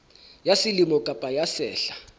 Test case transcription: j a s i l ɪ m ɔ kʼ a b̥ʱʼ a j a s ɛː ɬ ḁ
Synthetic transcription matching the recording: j a s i l i m ɔ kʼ a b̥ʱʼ a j a s ɛː ɬ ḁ